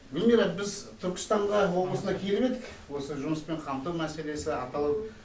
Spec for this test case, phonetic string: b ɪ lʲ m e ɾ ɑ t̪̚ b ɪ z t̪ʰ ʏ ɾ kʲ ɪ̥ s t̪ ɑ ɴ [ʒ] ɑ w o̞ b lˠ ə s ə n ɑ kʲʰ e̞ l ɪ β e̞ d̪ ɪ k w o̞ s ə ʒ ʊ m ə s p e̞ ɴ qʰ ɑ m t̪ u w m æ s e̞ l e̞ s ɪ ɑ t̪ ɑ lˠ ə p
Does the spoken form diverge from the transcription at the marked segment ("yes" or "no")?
yes